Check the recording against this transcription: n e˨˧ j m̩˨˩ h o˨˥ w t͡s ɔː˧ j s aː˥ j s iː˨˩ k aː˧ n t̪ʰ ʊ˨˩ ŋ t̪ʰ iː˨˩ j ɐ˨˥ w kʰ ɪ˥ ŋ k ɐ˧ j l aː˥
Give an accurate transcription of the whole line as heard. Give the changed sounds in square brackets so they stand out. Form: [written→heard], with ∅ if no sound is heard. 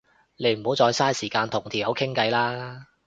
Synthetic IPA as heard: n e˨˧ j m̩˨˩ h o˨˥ w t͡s ɔː˧ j s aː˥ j s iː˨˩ k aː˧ n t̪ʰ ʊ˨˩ ŋ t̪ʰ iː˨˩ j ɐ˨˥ w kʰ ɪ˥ ŋ k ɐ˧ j l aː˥